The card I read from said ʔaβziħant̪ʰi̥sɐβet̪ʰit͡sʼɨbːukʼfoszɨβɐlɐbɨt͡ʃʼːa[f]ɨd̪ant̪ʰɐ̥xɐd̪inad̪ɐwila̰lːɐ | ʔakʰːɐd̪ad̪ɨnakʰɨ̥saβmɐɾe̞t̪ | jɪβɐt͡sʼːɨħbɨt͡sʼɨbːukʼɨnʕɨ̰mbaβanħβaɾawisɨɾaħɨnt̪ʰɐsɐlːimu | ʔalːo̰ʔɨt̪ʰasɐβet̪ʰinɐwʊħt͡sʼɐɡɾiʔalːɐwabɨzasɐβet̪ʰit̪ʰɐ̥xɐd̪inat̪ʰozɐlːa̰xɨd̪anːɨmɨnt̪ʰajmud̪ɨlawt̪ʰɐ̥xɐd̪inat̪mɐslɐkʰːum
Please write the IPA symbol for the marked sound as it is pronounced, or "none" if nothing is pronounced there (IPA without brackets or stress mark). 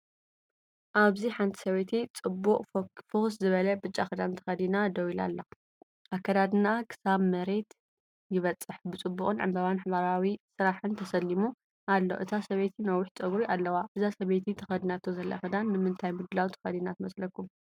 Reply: x